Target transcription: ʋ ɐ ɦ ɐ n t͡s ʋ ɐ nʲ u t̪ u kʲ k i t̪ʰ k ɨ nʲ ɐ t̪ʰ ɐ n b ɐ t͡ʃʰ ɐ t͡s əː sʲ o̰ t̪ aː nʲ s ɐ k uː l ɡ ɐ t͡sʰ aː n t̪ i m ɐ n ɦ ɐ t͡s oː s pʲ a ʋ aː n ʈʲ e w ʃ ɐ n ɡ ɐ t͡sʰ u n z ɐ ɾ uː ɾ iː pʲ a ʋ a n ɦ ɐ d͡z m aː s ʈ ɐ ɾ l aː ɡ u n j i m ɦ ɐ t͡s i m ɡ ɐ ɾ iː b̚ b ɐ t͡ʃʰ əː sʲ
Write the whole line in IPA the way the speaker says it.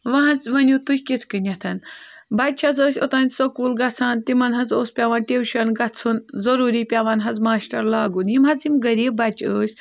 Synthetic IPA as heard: ʋ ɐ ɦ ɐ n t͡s ʋ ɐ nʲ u t̪ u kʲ k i t̪ʰ k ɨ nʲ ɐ t̪ʰ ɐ n b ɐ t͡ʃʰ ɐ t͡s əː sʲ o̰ t̪ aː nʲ s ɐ k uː l ɡ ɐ t͡sʰ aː n t̪ i m ɐ n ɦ ɐ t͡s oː s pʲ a ʋ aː n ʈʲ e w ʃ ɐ n ɡ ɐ t͡sʰ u n z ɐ ɾ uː ɾ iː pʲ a ʋ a n ɦ ɐ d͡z m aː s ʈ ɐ ɾ l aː ɡ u n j i m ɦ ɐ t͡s i m ɡ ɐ ɾ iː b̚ b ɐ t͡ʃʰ əː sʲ